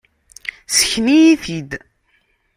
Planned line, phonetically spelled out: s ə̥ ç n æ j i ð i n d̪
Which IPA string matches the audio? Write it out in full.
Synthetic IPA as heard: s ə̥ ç n i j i θ i d̪